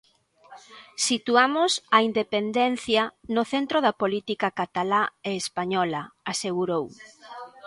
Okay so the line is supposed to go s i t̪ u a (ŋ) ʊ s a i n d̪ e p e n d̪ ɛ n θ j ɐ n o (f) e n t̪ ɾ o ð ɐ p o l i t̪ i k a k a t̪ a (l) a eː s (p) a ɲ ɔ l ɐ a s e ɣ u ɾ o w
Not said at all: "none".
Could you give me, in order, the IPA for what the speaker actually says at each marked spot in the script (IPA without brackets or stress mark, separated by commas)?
m, θ, l, p